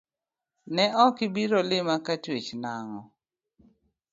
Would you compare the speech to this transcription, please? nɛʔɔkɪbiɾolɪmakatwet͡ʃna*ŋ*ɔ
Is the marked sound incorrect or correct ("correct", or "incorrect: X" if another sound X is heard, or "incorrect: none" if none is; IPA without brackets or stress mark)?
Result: correct